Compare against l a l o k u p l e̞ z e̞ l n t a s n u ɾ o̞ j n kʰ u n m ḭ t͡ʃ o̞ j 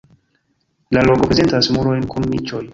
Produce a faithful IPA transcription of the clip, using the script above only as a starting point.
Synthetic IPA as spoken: l a l o k o p ɾ e̞ z e̞ n t a s m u ɾ o̞ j n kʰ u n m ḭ t͡ʃ o̞ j